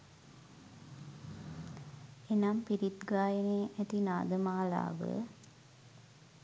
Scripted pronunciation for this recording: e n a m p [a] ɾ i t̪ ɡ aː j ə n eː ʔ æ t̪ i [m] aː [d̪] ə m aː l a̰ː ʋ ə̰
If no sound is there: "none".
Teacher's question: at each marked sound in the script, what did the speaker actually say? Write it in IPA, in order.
i, n, d̪

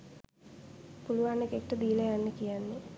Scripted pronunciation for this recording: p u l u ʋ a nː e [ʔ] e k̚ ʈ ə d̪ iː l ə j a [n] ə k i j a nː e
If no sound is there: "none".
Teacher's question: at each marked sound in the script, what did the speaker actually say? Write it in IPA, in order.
k, nː

